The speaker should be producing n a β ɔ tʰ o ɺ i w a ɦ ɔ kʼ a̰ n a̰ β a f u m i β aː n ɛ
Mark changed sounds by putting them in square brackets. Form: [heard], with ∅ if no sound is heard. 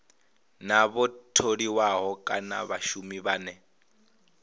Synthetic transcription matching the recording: n a β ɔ tʰ o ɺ i w a ɦ ɔ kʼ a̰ n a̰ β a [ʃ] u m i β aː n ɛ